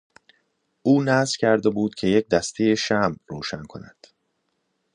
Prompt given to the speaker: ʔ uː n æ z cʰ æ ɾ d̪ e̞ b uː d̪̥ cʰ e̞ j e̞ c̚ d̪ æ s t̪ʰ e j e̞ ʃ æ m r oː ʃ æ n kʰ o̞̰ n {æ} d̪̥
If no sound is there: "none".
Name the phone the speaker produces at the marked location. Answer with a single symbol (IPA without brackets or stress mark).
æ